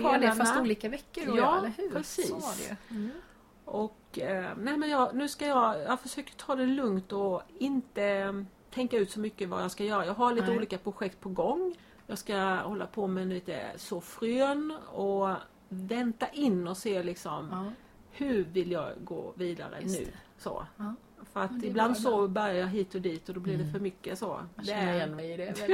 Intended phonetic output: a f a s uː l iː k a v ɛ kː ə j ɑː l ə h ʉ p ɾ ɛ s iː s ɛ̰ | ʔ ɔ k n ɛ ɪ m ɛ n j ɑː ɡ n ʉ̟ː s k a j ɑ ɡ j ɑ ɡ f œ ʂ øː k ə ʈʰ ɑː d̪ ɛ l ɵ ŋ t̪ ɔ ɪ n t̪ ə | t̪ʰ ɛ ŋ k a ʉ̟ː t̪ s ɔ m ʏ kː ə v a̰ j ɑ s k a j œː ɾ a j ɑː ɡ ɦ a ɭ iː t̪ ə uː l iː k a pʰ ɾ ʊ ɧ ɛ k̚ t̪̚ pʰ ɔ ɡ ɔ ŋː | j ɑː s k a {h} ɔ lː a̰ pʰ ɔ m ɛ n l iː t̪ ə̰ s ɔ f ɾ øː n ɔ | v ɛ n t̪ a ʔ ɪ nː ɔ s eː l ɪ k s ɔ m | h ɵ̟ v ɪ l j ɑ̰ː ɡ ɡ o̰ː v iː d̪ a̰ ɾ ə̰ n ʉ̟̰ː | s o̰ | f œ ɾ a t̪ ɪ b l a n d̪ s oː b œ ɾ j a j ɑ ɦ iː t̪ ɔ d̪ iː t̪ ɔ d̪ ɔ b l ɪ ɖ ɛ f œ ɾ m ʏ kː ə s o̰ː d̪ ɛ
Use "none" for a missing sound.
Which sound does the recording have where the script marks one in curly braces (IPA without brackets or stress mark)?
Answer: h